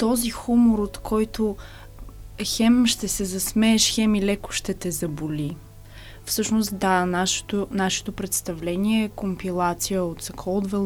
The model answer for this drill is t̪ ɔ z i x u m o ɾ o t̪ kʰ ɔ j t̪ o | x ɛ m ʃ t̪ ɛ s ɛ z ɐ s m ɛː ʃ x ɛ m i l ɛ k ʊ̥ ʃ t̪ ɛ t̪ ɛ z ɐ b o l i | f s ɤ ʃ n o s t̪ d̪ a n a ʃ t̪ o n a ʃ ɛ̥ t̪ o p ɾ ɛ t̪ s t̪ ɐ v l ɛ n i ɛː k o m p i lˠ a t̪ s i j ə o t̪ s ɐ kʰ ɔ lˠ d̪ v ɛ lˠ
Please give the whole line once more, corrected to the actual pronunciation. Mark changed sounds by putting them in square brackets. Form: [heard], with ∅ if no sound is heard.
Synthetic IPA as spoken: t̪ ɔ z i x u m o ɾ o t̪ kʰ ɔ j t̪ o | x ɛ m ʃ t̪ ɛ s ɛ z ɐ s m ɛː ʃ x ɛ m i l ɛ k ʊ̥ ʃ t̪ ɛ t̪ ɛ z ɐ b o l i | f s ɤ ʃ n o s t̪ d̪ a n a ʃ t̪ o n a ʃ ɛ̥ t̪ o p ɾ ɛ t̪ s t̪ ɐ v l ɛ n i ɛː k o m p i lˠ a t̪ s i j ə o t̪ s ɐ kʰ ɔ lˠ d̪ v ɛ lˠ